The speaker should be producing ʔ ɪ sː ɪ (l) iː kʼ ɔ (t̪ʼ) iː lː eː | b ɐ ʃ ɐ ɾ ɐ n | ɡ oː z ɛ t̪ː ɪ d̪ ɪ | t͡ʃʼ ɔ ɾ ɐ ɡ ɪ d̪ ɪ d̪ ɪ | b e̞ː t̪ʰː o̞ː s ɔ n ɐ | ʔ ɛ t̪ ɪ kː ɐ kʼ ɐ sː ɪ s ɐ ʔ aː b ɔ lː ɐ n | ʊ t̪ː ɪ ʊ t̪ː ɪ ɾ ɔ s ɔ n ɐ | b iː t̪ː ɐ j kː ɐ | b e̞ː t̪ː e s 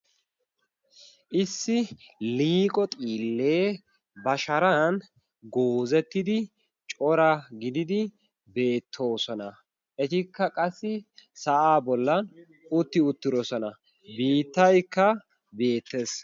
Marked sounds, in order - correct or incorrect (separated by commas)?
correct, correct